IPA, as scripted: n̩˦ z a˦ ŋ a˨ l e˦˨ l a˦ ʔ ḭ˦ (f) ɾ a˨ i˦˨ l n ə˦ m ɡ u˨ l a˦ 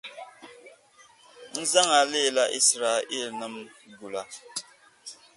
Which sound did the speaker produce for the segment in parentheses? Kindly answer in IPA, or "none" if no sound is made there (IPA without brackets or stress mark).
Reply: s